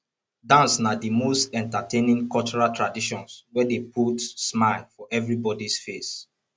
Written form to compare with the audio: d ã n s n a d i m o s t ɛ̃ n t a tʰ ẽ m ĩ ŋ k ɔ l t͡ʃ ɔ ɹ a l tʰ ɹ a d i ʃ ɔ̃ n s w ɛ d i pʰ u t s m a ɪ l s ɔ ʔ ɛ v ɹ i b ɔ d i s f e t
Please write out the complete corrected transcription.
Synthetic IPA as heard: d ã n s n a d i m o s t ɛ̃ n t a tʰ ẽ n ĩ ŋ k ɔ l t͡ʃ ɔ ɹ a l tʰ ɹ a d i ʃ ɔ̃ n s w ɛ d e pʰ u t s m a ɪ l f ɔ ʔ ɛ v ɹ i b ɔ d i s f e s